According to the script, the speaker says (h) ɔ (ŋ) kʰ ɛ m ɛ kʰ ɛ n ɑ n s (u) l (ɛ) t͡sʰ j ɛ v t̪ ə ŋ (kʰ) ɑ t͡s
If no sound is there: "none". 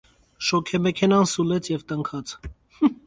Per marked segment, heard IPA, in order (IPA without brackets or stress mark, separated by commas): ʃ, none, u, ɛ, kʰ